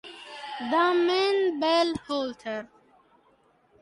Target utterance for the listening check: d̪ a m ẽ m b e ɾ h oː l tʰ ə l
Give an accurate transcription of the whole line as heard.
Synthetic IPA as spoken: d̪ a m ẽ n b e l h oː l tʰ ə ɾ